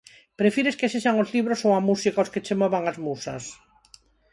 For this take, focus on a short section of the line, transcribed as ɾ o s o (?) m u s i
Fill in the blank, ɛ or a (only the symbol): a